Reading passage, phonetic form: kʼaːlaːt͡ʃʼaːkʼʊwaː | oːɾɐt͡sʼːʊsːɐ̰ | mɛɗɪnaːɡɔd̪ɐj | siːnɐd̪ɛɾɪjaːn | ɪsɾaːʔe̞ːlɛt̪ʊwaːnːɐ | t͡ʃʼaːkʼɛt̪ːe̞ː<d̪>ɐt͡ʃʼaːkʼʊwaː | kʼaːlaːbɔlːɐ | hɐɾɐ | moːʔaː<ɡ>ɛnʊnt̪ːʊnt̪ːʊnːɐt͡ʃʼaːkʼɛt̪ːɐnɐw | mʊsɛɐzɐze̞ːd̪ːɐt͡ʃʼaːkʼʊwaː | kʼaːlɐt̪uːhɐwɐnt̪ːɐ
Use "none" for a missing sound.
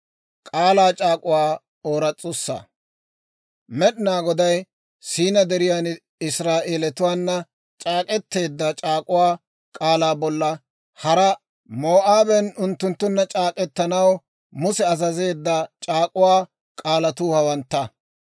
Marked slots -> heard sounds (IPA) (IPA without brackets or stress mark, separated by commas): d̪ː, b